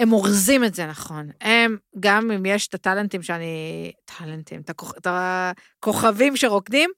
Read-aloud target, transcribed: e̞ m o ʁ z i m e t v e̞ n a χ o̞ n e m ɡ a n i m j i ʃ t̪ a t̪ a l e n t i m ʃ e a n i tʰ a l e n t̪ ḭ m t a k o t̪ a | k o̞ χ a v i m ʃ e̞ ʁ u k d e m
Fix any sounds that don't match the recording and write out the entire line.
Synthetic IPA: e̞ m o ʁ z i m e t z e̞ n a χ o̞ n e m ɡ a m i m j e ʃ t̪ a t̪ a l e n t i m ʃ e a n i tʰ a l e n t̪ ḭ m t a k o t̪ a | k o̞ χ a v i m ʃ e̞ ʁ o k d i m